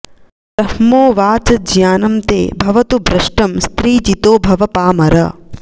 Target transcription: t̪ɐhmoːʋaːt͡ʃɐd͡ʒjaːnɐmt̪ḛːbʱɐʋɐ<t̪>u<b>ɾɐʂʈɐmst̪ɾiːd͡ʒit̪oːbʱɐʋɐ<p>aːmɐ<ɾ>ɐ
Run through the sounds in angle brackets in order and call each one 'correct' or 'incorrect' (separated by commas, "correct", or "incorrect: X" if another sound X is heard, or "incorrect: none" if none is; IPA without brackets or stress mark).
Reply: correct, correct, correct, correct